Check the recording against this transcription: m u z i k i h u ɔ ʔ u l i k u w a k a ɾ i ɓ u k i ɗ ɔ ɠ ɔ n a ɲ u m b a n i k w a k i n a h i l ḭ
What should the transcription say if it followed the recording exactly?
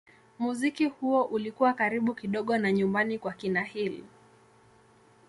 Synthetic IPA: m u z i k i h u ɔ ʔ u l i k u w a k a ɾ i ɓ u k i ɗ ɔ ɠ ɔ n a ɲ u m b a n i k w a k i n a h i l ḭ